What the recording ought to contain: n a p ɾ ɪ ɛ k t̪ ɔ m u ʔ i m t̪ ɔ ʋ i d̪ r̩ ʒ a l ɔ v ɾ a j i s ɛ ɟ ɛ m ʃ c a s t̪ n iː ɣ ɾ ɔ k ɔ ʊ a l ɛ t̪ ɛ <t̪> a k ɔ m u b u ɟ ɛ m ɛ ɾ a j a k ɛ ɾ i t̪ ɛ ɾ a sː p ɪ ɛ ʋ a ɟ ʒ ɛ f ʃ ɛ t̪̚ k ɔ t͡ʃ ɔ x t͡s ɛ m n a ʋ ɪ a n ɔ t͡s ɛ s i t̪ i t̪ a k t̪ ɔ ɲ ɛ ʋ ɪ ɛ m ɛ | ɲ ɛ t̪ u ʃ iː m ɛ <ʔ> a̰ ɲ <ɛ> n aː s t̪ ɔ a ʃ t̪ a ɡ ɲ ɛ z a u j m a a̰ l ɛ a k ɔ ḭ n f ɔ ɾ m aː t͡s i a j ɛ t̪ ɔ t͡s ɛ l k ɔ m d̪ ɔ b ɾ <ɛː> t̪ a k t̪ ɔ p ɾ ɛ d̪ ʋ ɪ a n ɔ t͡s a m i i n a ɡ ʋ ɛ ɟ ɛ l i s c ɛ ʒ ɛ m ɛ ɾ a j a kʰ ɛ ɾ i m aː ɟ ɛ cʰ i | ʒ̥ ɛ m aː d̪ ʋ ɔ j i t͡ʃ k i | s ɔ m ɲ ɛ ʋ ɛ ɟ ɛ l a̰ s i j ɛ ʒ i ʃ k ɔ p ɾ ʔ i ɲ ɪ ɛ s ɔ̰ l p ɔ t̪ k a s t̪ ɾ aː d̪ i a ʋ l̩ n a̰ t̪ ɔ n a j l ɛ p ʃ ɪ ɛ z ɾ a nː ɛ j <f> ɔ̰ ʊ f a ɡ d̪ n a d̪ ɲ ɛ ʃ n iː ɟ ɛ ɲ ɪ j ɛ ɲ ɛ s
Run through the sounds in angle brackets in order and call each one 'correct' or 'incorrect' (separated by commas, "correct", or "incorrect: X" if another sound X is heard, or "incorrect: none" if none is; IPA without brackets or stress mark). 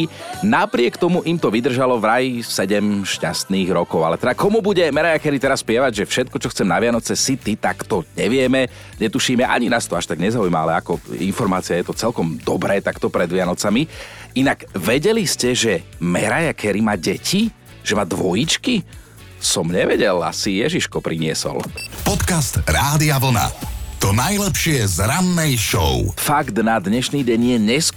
incorrect: d̪, correct, incorrect: i, correct, incorrect: ʃ